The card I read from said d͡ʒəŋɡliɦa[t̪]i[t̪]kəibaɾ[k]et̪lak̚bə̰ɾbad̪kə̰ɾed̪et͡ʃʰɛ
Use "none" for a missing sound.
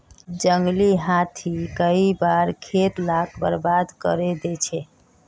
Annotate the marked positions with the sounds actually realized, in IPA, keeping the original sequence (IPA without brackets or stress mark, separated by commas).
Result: t̪ʰ, none, kʰ